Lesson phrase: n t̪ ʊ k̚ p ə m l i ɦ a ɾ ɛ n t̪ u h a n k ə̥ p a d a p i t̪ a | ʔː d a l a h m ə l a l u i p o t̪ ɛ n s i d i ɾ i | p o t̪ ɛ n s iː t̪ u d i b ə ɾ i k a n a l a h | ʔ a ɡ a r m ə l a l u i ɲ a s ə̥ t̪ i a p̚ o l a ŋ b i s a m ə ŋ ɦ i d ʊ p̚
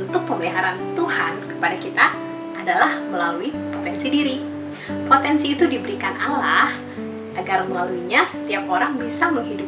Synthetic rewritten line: n t̪ ʊ k̚ p ə m l i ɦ a ɾ a n t̪ u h a n k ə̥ p a d a k i t̪ a | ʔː d a l a h m ə l a l u i p o t̪ ɛ n s i d i ɾ i | p o t̪ ɛ n s iː t̪ u d i b ə ɾ i k a n a l a h | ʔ a ɡ a r m ə l a l u i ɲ a s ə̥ t̪ i a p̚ o ɾ a ŋ b i s a m ə ŋ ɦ i d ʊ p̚